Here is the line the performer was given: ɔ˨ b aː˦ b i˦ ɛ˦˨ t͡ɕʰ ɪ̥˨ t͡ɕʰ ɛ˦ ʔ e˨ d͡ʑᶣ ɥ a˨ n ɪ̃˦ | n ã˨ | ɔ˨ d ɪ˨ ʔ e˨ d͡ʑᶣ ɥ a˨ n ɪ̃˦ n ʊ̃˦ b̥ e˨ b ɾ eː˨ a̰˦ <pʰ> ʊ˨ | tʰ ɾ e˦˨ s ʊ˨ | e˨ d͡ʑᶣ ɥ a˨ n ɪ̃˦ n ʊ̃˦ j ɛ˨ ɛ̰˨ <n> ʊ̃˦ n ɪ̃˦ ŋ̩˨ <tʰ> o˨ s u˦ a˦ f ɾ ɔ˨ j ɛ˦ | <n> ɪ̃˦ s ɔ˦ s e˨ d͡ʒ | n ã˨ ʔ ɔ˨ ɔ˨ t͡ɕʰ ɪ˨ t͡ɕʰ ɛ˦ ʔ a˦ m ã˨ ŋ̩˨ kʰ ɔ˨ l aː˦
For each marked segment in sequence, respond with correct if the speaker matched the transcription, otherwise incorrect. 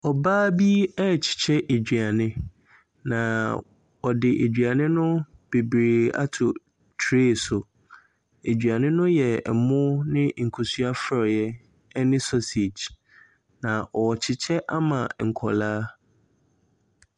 incorrect: tʰ, incorrect: m, incorrect: kʰ, correct

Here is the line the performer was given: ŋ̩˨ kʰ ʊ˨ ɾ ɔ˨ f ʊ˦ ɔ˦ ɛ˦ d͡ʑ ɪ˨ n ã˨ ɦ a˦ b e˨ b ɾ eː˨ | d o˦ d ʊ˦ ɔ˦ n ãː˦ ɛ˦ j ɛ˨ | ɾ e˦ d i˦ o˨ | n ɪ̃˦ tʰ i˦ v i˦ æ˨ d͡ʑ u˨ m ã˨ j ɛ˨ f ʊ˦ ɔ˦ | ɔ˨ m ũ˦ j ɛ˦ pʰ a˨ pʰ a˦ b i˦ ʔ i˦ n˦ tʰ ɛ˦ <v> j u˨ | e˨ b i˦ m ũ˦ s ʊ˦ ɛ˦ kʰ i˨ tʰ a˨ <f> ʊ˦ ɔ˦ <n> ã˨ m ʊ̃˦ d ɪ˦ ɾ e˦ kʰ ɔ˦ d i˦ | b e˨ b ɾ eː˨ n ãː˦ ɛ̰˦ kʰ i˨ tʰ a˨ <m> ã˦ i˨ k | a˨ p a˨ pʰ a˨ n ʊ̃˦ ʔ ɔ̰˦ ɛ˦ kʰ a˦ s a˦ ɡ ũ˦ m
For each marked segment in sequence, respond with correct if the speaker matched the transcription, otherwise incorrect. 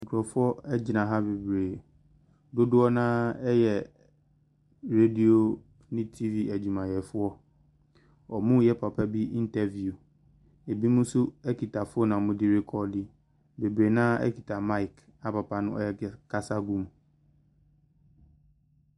correct, correct, correct, correct

